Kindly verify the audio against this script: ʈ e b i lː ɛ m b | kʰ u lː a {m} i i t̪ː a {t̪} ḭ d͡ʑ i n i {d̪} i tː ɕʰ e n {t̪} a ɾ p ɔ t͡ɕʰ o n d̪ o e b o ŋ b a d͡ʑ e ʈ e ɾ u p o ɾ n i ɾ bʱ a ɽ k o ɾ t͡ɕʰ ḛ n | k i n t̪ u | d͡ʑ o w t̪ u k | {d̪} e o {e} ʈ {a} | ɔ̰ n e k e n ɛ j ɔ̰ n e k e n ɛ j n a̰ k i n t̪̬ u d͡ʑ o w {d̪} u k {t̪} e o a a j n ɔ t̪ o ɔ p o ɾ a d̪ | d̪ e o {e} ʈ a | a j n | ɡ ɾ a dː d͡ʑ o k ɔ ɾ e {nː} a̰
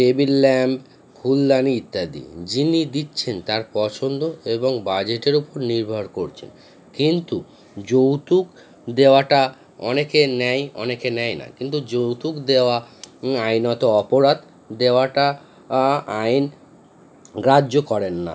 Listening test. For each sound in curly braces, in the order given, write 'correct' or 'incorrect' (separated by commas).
incorrect, incorrect, correct, correct, correct, incorrect, correct, incorrect, incorrect, incorrect, correct